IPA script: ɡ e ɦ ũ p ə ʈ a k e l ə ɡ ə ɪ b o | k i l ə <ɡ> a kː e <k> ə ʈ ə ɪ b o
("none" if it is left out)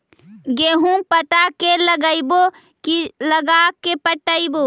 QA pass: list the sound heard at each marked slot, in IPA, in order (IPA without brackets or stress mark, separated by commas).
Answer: ɡ, p